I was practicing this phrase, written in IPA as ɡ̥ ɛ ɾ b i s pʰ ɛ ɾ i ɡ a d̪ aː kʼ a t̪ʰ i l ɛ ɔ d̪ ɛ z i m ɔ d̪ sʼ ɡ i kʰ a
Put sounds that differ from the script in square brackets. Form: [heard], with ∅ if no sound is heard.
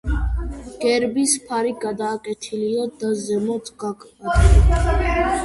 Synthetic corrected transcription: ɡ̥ ɛ ɾ b i s pʰ [a] ɾ i ɡ a d̪ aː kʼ [ɛ] t̪ʰ i l [i] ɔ d̪ [a] z [ɛ] m ɔ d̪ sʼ ɡ [a] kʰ a